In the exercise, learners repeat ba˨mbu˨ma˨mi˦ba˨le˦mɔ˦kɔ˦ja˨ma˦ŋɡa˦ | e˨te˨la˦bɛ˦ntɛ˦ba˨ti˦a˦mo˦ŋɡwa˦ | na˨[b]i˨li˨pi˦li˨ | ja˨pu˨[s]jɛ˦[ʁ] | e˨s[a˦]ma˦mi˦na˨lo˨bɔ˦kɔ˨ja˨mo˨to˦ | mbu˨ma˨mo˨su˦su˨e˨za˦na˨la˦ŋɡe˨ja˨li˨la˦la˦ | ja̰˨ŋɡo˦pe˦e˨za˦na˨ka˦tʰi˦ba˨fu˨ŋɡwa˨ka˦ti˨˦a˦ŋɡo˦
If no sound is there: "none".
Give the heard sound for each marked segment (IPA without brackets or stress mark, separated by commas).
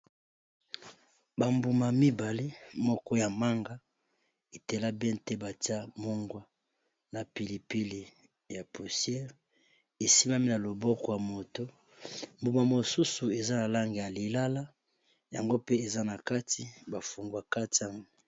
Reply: p, s, ʁ, i˦